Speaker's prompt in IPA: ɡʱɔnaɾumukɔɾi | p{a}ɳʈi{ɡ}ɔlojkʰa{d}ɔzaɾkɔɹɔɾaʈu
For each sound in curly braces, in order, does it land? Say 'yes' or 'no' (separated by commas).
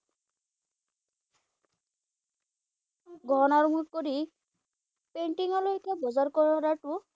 no, no, no